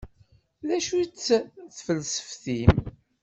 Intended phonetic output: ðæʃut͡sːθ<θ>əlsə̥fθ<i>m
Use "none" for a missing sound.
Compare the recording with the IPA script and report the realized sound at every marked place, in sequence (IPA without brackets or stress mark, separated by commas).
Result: f, i